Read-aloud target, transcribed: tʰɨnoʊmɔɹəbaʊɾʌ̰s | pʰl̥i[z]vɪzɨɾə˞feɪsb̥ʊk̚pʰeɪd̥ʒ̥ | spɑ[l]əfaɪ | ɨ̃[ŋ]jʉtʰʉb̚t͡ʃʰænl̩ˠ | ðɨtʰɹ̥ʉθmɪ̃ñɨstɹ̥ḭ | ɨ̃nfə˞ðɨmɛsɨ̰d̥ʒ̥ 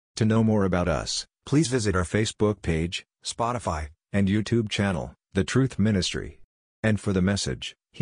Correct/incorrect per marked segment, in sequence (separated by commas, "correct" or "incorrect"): correct, incorrect, incorrect